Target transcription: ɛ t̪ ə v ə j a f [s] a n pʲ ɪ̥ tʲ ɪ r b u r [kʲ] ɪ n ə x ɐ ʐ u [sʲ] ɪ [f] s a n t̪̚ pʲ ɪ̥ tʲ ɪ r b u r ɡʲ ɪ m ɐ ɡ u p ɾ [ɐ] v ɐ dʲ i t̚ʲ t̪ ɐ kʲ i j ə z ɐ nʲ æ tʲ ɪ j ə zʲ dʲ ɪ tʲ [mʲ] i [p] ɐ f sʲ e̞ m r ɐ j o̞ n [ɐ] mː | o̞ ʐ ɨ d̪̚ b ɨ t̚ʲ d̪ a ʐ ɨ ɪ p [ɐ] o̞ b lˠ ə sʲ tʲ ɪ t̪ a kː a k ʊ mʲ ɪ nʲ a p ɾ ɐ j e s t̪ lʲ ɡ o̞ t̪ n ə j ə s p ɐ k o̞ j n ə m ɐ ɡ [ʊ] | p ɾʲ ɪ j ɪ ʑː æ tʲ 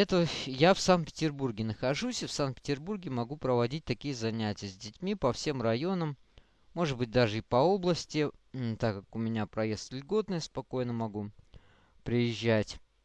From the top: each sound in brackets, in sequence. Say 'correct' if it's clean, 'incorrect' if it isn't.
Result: correct, incorrect: ɡʲ, correct, correct, incorrect: ə, correct, correct, incorrect: ə, correct, incorrect: u

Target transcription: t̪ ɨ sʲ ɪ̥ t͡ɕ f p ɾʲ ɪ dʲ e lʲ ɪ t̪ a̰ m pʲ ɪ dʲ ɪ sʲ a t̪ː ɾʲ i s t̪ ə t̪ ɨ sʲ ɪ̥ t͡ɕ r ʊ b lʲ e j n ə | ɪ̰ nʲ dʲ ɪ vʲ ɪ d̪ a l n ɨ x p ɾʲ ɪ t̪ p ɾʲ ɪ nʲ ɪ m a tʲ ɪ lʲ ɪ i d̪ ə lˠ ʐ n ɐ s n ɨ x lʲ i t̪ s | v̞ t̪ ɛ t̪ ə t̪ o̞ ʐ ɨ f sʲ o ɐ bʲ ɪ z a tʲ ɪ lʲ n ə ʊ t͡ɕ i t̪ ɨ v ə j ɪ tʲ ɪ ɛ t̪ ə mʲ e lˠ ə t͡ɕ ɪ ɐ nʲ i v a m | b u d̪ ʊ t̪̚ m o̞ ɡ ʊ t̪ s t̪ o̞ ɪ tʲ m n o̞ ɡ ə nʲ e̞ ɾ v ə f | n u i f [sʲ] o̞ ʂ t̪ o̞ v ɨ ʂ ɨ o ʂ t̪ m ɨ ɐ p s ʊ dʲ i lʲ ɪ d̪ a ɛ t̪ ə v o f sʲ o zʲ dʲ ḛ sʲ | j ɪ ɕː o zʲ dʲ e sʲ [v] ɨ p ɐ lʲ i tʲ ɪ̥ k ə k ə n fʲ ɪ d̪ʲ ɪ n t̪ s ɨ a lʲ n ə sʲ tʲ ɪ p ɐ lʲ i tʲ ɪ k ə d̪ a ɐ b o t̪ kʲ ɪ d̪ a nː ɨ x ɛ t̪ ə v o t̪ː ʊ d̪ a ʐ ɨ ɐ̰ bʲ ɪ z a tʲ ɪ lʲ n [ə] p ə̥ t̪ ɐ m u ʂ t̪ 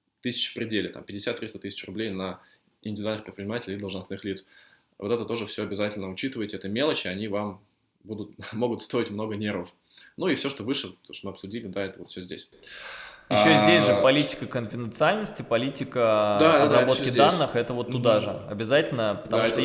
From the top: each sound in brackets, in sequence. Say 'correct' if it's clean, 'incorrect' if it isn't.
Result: correct, incorrect: ʐ, correct

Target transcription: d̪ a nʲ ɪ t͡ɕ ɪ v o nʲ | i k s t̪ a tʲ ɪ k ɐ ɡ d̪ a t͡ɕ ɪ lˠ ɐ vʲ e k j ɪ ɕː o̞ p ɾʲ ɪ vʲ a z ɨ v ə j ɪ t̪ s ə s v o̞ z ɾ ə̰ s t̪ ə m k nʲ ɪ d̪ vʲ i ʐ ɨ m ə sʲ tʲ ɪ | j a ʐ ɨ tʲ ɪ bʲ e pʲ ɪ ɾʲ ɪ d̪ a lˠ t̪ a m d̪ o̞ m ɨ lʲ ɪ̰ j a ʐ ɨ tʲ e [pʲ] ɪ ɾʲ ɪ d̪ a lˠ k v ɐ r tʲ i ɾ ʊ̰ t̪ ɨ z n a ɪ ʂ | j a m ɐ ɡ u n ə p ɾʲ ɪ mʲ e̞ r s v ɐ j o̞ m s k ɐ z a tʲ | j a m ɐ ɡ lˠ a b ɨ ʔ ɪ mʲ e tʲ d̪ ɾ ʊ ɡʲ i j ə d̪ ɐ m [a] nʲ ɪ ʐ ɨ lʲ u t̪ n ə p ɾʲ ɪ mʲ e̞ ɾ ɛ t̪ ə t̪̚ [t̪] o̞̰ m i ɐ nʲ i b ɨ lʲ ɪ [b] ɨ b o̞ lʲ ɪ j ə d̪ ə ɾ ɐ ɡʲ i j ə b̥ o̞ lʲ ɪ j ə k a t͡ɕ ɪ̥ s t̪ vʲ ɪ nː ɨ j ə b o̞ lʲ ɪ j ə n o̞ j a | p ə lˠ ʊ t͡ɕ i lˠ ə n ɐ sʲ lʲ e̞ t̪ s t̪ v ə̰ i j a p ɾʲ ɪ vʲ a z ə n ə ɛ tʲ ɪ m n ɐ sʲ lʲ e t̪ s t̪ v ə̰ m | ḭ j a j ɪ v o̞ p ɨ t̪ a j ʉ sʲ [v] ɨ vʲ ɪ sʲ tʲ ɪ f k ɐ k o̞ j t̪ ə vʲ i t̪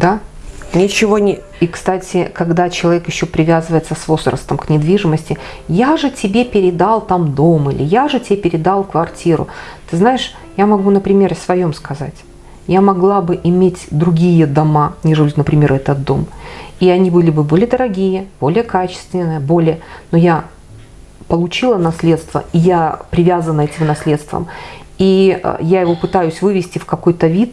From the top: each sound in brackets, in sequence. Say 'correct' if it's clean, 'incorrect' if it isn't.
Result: correct, correct, incorrect: d̪, correct, correct

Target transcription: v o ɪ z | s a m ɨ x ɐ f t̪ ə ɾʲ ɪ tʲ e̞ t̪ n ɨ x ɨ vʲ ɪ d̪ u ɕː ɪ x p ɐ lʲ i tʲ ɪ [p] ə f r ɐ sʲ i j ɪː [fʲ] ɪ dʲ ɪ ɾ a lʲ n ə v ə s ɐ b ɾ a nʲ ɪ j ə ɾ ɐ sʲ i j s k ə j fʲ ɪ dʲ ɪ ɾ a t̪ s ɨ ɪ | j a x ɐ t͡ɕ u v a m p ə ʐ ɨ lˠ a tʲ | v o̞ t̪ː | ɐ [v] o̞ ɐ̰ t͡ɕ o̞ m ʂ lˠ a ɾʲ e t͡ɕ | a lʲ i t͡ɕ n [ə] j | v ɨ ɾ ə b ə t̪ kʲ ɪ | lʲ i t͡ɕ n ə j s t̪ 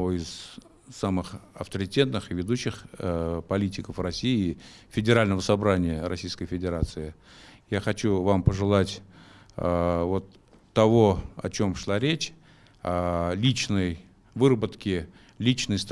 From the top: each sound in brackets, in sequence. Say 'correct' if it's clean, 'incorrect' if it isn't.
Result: incorrect: k, correct, correct, correct

